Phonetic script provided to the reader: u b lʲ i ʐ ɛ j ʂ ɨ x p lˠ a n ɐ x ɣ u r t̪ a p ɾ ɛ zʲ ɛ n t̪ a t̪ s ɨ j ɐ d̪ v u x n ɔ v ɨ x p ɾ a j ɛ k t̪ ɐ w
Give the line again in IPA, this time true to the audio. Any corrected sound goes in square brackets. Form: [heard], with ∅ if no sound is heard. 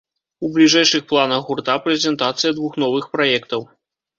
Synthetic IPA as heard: u b lʲ i ʐ ɛ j ʂ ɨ x p lˠ a n ɐ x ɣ u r t̪ a p ɾ ɛ zʲ ɛ n t̪ a t̪ s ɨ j ɐ d̪ v u x n ɔ v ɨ x p ɾ a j ɛ k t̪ ɐ w